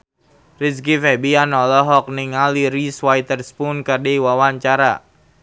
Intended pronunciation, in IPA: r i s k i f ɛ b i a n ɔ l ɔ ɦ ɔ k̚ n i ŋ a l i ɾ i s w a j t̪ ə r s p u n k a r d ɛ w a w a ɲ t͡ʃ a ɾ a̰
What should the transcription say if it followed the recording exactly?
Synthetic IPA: r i s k i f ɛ b i a n ɔ l ɔ ɦ ɔ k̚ n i ŋ a l i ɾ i s w a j t̪ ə r s p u n k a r d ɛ w a w a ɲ t͡ʃ a ɾ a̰